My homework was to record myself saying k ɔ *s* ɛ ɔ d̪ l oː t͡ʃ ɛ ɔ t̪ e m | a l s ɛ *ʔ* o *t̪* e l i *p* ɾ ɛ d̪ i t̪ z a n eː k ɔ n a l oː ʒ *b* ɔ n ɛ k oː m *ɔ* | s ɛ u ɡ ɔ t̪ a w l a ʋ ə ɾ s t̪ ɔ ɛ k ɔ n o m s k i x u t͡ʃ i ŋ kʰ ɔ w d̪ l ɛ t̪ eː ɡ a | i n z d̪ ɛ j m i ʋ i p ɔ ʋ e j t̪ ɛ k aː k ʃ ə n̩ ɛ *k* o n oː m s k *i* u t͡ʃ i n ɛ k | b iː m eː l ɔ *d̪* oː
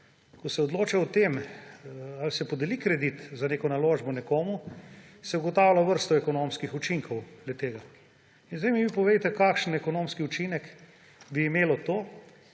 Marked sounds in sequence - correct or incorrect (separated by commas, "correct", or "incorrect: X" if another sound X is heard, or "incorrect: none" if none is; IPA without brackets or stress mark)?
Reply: correct, incorrect: p, incorrect: d̪, incorrect: k, correct, incorrect: u, correct, correct, incorrect: t̪